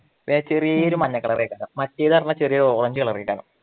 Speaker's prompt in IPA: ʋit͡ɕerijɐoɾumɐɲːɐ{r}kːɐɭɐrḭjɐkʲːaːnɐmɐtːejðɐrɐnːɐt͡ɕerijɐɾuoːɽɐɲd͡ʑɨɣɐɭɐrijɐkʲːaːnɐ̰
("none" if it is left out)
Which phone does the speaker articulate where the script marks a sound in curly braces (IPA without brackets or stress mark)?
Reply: none